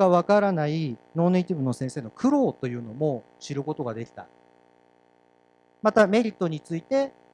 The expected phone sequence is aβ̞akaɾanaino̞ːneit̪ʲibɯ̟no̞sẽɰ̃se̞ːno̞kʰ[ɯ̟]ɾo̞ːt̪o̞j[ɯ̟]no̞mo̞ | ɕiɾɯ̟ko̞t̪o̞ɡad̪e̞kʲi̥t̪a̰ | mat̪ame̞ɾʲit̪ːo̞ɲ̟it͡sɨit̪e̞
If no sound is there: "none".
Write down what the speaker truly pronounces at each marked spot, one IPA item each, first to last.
ɯ̟, ɯ̟ː

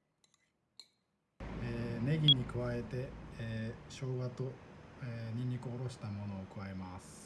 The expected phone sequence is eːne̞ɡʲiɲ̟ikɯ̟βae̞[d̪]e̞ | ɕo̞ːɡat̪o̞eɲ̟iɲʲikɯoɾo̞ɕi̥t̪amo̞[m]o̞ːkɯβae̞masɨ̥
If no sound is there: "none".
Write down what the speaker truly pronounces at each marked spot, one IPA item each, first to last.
t̪, n

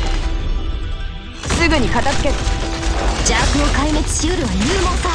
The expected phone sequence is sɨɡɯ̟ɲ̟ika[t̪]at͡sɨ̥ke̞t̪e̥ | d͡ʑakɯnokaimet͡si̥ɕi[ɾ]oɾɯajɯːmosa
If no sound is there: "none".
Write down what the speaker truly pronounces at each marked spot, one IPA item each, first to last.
t̪, none

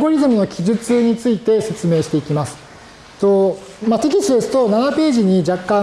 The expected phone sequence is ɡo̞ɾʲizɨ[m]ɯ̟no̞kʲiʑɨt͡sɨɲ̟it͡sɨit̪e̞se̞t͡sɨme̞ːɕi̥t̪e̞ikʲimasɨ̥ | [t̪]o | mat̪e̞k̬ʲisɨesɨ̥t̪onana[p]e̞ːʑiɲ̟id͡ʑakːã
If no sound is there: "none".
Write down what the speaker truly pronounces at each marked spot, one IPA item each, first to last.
m, t̪, p

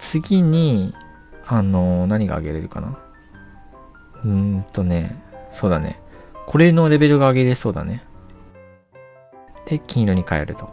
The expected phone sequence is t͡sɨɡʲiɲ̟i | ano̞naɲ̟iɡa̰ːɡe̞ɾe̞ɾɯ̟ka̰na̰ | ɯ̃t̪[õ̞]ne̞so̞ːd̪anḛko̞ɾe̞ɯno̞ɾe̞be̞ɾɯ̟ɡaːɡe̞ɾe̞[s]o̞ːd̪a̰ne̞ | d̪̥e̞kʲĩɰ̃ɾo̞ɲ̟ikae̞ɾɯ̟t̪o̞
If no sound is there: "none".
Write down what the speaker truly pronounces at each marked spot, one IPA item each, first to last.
o̞, s

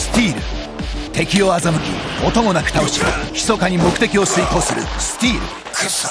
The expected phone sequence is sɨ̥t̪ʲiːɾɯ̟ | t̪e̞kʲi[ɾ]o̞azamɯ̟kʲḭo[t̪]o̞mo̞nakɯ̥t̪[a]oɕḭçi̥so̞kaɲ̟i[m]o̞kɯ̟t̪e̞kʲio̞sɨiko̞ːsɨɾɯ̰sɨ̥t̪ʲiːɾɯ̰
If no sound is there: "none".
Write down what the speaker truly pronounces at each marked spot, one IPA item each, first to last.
none, t̪, a, m

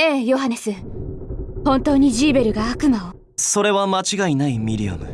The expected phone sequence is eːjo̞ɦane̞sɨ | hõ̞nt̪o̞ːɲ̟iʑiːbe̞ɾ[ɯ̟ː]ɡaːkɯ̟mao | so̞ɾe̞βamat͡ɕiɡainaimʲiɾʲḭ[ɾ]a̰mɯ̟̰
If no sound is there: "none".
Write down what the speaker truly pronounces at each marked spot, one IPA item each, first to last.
ɯ̟, none

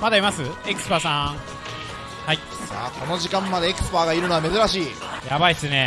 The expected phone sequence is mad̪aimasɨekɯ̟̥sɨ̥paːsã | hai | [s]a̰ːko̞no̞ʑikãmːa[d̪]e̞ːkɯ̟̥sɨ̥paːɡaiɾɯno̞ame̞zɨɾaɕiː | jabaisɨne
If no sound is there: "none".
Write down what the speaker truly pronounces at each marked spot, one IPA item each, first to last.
s, d̪

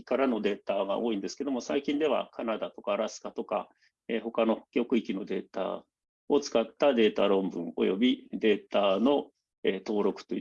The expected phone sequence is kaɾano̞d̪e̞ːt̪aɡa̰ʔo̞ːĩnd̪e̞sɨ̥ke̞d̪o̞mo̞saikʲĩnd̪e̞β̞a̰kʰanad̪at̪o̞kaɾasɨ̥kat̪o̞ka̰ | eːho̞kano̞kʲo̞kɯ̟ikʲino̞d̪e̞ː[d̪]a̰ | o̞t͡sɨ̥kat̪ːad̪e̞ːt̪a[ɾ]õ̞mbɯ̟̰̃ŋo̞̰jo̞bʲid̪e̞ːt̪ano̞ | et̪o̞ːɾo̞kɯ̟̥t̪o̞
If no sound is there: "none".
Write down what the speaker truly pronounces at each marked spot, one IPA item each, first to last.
t̪, ɾ

